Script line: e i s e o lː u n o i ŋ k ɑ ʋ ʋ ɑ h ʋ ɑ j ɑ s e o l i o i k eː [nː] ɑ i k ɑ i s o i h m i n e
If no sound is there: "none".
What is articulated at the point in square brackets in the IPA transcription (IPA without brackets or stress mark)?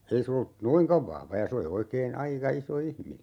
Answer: n